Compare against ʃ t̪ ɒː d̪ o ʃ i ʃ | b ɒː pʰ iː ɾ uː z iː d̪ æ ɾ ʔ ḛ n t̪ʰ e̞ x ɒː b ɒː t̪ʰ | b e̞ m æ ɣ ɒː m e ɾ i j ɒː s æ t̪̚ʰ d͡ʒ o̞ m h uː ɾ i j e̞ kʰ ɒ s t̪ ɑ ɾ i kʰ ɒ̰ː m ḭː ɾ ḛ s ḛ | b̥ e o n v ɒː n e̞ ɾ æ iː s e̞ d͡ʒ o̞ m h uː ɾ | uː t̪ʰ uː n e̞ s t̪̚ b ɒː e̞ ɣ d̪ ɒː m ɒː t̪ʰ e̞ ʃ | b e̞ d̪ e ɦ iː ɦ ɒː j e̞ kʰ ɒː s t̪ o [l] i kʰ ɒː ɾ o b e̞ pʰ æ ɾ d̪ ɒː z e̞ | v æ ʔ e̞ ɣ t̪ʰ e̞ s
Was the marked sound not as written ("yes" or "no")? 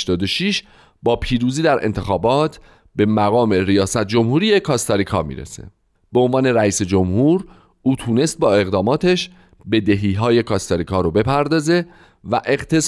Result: yes